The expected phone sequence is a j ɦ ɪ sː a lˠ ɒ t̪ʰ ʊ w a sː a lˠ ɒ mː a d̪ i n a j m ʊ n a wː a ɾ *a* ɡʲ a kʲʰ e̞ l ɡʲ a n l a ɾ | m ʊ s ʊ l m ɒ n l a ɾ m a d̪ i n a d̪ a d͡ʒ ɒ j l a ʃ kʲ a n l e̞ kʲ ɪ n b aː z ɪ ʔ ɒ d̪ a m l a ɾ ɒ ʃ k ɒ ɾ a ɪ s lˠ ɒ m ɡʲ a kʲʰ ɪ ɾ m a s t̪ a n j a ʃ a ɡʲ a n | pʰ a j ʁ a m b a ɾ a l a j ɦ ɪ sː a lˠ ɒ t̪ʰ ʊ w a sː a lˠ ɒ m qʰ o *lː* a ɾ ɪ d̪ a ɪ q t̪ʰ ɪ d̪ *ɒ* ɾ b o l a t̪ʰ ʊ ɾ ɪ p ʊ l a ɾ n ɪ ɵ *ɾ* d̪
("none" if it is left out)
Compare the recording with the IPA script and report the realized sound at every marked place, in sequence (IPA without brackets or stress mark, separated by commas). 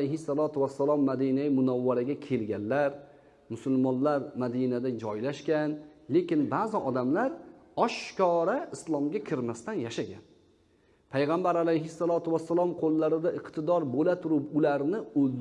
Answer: a, lː, ɒ, l